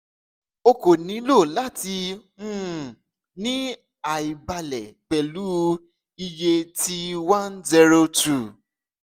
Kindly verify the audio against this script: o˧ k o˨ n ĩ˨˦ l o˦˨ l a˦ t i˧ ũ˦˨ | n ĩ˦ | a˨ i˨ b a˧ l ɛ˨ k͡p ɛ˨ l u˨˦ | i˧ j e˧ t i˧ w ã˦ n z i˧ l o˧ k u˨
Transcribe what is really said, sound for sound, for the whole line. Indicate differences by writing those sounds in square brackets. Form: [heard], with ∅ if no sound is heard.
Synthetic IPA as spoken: o˧ k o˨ n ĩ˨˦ l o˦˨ l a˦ t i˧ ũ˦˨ | n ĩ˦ | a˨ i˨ b a˧ l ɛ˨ k͡p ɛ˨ l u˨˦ | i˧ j e˧ t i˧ w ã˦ n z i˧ [ɾ] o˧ [t] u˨

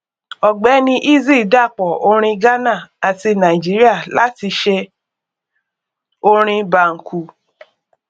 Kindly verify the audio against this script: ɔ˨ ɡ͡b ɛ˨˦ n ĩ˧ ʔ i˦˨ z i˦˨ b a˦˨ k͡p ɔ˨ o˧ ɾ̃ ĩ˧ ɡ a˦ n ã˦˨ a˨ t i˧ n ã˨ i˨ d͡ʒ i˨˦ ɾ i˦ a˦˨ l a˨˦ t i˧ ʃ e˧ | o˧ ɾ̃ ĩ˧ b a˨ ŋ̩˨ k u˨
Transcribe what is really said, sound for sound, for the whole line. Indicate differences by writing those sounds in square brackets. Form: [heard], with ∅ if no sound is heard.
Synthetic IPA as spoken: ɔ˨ ɡ͡b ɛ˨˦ n ĩ˧ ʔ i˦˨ z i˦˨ [d] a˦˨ k͡p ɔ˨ o˧ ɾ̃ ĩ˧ ɡ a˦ n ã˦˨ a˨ t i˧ n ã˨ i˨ d͡ʒ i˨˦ ɾ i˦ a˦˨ l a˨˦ t i˧ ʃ e˧ | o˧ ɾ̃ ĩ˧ b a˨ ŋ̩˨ k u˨

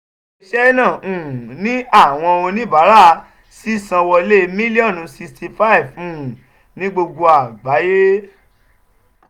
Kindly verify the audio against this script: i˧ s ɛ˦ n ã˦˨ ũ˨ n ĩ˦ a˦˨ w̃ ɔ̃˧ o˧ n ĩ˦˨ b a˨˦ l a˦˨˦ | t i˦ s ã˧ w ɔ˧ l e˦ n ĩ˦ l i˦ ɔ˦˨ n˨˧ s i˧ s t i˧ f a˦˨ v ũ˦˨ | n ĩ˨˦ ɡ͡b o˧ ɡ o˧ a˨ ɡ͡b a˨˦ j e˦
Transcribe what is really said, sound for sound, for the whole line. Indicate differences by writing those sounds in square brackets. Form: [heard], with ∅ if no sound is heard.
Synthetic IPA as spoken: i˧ [ʃ] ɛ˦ n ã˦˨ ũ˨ n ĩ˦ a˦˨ w̃ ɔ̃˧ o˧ n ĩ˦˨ b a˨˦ [ɾ] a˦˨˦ | [s] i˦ s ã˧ w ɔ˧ l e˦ [m] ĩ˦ l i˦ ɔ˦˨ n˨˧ s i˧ s t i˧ f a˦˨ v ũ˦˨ | n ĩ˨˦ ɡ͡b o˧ ɡ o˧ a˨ ɡ͡b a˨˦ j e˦

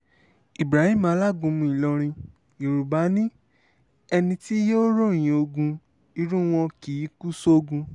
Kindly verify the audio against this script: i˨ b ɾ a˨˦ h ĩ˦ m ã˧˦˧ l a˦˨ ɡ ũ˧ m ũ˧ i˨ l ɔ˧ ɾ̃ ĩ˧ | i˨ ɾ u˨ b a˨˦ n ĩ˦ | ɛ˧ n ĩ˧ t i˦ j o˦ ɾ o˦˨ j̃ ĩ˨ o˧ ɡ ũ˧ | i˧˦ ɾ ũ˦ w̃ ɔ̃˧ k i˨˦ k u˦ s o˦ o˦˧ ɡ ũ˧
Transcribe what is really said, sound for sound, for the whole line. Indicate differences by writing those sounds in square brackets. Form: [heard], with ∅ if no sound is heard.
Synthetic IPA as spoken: i˨ b ɾ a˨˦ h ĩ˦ m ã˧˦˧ l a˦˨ ɡ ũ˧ m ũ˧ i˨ l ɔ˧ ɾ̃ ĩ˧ | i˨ ɾ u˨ b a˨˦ n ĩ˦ | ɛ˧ n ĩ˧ t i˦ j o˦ ɾ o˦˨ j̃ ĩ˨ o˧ ɡ ũ˧ | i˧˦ ɾ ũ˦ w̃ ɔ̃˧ k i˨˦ k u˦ s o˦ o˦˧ ɡ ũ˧

